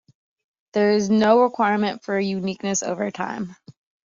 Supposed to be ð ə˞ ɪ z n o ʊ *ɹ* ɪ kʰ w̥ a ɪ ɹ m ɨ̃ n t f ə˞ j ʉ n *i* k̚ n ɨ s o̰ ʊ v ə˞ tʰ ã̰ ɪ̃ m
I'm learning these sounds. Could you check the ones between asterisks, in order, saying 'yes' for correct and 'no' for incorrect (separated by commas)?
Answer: yes, yes